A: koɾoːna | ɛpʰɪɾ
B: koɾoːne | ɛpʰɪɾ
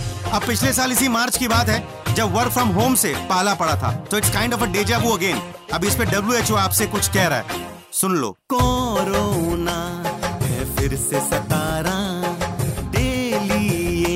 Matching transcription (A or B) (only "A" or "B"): A